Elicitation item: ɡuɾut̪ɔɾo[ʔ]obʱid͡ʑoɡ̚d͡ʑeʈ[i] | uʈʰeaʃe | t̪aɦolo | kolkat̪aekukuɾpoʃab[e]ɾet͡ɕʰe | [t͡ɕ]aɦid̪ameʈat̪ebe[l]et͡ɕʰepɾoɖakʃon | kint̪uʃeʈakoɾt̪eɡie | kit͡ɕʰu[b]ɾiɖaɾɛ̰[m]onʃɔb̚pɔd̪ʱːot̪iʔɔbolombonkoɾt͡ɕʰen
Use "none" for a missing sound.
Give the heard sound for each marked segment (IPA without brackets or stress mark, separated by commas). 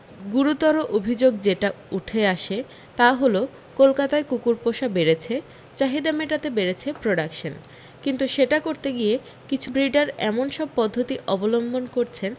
ʔ, a, e, t͡ɕ, ɾ, b, m